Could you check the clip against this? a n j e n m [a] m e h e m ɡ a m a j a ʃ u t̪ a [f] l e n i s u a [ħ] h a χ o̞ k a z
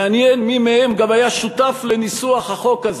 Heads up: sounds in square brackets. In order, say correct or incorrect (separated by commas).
incorrect, correct, incorrect